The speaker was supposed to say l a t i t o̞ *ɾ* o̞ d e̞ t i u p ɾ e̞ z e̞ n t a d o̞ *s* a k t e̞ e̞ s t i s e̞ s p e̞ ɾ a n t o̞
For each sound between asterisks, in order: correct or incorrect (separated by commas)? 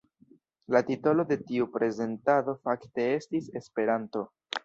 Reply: incorrect, incorrect